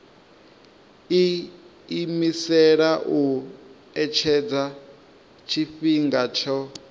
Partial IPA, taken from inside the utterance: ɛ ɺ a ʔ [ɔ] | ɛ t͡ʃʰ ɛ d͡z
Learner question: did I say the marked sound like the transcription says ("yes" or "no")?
no